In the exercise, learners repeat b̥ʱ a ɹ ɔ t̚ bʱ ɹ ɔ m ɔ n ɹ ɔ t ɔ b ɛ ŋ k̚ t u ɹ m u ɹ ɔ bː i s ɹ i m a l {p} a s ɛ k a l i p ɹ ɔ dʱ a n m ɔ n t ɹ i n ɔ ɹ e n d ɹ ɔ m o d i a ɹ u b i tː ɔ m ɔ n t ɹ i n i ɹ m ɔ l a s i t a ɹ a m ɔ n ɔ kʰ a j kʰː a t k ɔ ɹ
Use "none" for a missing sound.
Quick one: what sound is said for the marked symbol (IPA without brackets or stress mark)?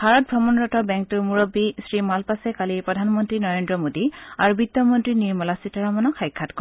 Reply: p